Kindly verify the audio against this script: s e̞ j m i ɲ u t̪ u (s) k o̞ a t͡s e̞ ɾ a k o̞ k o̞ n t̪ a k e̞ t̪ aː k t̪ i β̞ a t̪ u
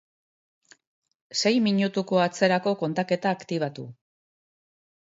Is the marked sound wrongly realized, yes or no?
yes